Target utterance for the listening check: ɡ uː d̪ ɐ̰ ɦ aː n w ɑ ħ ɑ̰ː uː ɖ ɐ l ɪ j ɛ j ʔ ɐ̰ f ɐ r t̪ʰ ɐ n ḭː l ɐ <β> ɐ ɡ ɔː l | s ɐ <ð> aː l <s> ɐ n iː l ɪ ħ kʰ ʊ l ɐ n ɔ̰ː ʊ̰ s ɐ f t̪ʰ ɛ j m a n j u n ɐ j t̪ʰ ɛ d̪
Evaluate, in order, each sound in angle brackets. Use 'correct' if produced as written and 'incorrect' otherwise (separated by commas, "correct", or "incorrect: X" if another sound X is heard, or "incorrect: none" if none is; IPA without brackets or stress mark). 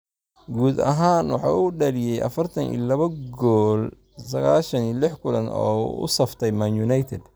correct, incorrect: ɣ, incorrect: ʃ